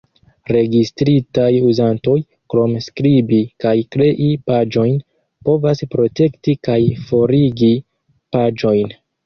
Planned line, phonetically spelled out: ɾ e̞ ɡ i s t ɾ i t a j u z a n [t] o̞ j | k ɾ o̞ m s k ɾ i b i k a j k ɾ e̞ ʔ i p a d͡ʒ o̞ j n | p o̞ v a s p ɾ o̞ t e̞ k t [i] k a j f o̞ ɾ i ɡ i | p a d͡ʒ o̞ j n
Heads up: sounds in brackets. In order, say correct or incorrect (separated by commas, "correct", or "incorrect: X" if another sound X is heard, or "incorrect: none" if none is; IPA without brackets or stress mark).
correct, correct